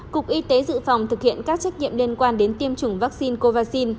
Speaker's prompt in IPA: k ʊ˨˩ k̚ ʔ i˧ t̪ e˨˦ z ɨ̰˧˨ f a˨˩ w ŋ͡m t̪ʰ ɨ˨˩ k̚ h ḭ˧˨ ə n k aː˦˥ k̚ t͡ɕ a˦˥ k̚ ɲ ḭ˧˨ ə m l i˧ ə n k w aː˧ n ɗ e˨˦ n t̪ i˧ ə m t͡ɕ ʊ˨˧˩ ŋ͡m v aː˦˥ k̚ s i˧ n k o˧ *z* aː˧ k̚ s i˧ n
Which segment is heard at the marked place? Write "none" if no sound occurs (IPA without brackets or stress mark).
v